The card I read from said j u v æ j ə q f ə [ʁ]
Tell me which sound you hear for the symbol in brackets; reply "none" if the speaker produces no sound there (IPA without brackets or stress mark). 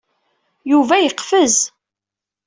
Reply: z